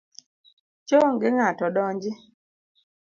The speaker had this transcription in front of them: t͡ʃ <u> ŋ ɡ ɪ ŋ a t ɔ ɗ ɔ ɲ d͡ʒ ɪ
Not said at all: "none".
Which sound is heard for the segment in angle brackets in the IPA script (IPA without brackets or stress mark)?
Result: o